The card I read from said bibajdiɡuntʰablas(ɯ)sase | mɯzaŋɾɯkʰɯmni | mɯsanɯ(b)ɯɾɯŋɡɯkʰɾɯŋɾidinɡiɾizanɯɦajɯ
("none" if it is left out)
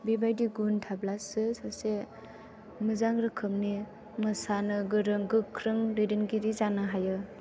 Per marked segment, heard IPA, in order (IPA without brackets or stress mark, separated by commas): ɯ, ɡ